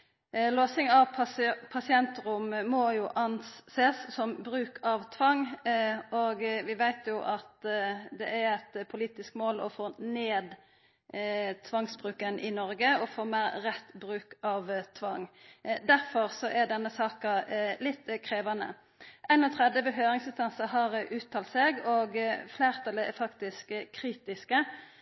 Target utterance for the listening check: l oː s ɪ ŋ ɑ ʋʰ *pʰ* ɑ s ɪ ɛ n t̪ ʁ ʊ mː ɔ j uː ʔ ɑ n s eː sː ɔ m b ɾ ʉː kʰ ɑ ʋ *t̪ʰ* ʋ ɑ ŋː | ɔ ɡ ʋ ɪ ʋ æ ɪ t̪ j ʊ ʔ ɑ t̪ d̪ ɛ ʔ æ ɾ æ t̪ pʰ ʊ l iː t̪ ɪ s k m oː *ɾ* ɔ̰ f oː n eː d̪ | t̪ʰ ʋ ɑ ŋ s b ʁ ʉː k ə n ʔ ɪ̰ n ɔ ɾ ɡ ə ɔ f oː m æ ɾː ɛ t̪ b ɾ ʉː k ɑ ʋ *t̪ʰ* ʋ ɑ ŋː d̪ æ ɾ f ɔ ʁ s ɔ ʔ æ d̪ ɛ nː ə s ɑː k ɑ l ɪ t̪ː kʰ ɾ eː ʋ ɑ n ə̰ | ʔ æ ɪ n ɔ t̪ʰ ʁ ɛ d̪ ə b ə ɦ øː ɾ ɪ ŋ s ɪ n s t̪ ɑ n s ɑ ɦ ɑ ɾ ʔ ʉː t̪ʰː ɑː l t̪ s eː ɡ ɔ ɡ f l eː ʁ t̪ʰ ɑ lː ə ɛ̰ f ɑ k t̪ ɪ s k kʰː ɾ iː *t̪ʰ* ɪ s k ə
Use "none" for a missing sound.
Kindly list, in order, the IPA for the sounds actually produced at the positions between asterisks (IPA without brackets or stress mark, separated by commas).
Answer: pʰ, t̪ʰ, l, t̪ʰ, t̪